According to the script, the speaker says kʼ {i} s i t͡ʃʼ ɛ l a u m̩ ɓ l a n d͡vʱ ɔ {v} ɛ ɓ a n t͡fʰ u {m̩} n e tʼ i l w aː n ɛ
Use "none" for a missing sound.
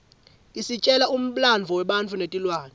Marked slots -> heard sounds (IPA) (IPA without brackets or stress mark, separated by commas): i, w, none